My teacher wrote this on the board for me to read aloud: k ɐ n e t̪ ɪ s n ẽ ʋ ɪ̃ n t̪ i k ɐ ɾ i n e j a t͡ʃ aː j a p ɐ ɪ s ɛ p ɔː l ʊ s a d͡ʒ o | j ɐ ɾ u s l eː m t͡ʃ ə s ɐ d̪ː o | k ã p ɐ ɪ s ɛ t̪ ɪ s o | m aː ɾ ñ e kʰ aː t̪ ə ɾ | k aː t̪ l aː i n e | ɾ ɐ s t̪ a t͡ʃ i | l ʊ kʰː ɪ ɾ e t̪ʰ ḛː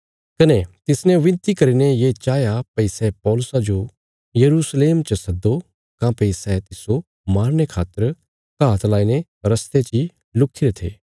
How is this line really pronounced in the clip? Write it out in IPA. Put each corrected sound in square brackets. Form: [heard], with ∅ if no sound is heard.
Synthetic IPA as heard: k ɐ n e t̪ ɪ s n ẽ ʋ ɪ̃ n t̪ i k ɐ ɾ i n e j [e] t͡ʃ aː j a p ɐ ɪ s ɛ p ɔː l ʊ s a d͡ʒ o | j ɐ ɾ u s l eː m t͡ʃ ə s ɐ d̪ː o | k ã p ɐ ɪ s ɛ t̪ ɪ s o | m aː ɾ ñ e kʰ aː t̪ ə ɾ | k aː t̪ l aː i n e | ɾ ɐ s t̪ [e] t͡ʃ i | l ʊ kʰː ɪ ɾ e t̪ʰ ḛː